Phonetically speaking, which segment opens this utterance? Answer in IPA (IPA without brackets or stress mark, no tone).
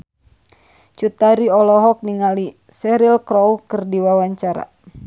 t͡ʃ